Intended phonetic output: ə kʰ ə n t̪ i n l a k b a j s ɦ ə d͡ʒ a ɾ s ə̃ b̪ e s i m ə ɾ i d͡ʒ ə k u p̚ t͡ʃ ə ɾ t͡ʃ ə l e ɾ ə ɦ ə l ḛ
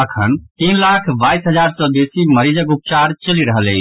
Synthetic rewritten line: ə kʰ ə n t̪ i n l a kʰ b a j s ɦ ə d͡ʒ a ɾ s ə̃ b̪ e s i m ə ɾ i d͡ʒ ə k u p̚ t͡ʃ a ɾ t͡ʃ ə l i ɾ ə ɦ ə l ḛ

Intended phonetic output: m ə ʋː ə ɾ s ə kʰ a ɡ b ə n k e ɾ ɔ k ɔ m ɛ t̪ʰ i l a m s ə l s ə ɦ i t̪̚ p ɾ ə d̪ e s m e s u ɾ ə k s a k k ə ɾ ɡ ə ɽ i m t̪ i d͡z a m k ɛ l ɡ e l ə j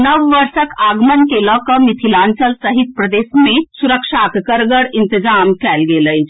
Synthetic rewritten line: n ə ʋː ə ɾ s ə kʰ a ɡ m ə n k e l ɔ k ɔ m i t̪ʰ i l a n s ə l s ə ɦ i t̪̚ p ɾ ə d̪ e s m e s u ɾ ə k ʂ a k k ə ɾ ɡ ə ɽ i n t̪ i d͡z a m k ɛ l ɡ e l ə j

